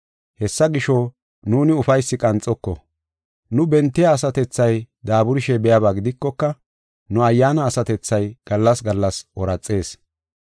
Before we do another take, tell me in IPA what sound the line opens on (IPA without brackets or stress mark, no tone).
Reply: h